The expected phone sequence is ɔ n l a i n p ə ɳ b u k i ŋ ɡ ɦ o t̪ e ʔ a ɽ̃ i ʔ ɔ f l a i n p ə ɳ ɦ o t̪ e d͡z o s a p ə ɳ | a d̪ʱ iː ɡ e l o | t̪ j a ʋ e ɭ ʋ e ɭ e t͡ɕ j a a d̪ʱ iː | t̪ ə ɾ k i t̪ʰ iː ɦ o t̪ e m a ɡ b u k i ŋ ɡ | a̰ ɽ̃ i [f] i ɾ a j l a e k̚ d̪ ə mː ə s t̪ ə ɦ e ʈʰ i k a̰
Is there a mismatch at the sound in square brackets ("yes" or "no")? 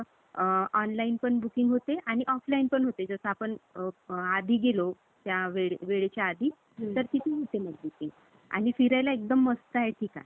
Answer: no